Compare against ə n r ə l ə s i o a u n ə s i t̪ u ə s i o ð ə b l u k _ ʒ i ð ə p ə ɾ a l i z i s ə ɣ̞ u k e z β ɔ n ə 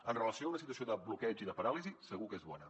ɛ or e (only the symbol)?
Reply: ɛ